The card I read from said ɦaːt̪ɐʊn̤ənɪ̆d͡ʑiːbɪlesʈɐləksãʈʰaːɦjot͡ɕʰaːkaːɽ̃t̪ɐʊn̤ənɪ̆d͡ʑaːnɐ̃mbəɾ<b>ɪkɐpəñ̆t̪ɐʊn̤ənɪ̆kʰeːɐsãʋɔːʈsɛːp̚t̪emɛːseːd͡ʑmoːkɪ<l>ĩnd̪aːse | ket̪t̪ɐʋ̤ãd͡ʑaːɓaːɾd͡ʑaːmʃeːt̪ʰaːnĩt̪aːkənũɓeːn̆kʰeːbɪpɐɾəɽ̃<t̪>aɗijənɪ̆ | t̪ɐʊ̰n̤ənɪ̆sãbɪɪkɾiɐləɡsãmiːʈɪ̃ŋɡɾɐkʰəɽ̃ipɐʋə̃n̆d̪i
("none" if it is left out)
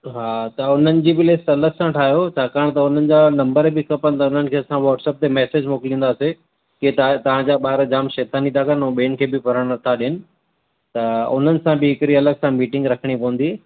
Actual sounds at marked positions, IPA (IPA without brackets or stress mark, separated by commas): b, l, t̪ʰ